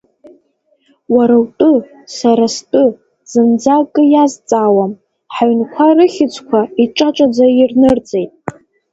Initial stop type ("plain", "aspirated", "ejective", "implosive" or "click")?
ejective